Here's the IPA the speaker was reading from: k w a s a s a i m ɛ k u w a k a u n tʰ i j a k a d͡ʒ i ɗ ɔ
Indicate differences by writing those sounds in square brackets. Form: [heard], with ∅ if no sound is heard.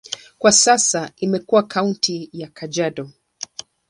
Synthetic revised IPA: k w a s a s a i m ɛ k u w a k a u n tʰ i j a k a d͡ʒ [a] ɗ ɔ